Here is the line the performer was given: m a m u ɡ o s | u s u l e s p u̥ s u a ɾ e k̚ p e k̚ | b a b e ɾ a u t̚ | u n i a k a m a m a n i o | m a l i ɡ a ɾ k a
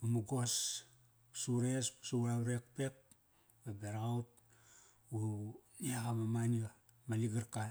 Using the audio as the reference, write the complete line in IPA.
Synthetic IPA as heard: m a m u ɡ o s | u s u ɾ e s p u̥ s u a ɾ e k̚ p e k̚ | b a b e ɾ a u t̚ | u n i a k a m a m a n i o | m a l i ɡ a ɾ k a